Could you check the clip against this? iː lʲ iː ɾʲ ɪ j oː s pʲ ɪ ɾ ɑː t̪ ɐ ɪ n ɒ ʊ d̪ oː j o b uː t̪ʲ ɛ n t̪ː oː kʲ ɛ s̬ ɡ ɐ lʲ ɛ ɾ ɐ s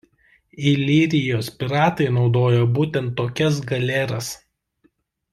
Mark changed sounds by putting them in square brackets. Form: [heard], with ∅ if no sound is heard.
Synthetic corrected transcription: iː lʲ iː ɾʲ ɪ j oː s pʲ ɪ ɾ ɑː t̪ ɐ ɪ n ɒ ʊ d̪ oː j o b uː t̪ʲ ɛ n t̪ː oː kʲ ɛ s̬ ɡ ɐ lʲ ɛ ɾ ɐ s

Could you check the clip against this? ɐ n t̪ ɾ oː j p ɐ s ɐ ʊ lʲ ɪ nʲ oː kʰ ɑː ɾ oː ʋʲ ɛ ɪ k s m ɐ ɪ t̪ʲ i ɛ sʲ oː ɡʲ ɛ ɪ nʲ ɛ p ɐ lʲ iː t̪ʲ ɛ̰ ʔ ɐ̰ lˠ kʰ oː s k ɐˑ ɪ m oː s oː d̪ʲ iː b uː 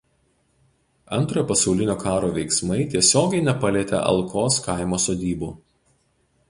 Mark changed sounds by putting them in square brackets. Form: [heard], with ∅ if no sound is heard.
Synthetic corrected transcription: ɐ n t̪ ɾ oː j p ɐ s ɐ ʊ lʲ ɪ nʲ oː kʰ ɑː ɾ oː ʋʲ ɛ ɪ k s m ɐ ɪ t̪ʲ i ɛ sʲ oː ɡʲ ɛ ɪ nʲ ɛ p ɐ lʲ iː t̪ʲ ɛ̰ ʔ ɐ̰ lˠ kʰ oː s k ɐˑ ɪ m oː s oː d̪ʲ iː b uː

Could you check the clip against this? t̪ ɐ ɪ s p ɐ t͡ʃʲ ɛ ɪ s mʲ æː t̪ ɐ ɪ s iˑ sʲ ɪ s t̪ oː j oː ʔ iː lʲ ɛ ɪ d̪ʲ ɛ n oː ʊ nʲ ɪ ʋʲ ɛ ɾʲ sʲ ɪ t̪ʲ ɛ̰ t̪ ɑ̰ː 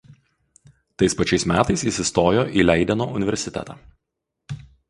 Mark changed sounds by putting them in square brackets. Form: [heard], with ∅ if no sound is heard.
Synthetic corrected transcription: t̪ ɐ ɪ s p ɐ t͡ʃʲ ɛ ɪ s mʲ æː t̪ ɐ ɪ s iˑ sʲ ɪ s t̪ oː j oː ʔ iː lʲ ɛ ɪ d̪ʲ ɛ n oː ʊ nʲ ɪ ʋʲ ɛ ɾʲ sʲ ɪ t̪ʲ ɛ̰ t̪ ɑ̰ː

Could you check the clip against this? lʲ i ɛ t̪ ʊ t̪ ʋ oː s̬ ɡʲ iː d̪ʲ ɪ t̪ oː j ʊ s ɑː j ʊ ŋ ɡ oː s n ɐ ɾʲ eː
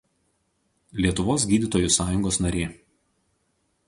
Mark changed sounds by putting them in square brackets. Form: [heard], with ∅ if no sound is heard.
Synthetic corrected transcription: lʲ i ɛ t̪ ʊ [∅] ʋ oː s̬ ɡʲ iː d̪ʲ ɪ t̪ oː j ʊ s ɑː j ʊ ŋ ɡ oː s n ɐ ɾʲ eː

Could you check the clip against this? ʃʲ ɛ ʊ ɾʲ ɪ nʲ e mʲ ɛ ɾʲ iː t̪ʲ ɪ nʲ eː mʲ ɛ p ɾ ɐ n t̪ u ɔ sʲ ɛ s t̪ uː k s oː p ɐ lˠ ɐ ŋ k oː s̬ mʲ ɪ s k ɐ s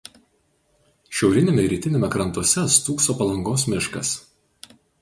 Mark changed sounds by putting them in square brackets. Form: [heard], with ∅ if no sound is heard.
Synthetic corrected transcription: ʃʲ ɛ ʊ ɾʲ ɪ nʲ e mʲ ɛ ɾʲ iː t̪ʲ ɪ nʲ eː mʲ ɛ [k] ɾ ɐ n t̪ u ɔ sʲ ɛ s t̪ uː k s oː p ɐ lˠ ɐ ŋ [ɡ] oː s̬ mʲ ɪ [ʃ] k ɐ s

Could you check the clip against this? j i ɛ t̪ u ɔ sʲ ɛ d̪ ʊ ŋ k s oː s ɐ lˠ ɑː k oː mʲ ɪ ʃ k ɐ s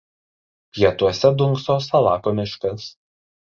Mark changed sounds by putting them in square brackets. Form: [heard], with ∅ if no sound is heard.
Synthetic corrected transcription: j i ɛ t̪ u ɔ sʲ ɛ d̪ ʊ ŋ k s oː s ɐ lˠ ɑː k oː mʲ ɪ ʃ k ɐ s

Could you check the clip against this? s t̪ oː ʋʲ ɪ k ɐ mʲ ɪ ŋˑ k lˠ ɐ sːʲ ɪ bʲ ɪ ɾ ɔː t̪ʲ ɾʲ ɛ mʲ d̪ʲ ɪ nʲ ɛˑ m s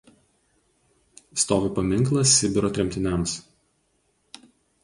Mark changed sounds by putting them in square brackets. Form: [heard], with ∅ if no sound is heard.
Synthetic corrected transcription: s t̪ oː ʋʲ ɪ [p] ɐ mʲ ɪ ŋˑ k lˠ ɐ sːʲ ɪ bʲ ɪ ɾ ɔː t̪ʲ ɾʲ ɛ mʲ [t̪ʲ] ɪ nʲ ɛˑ m s

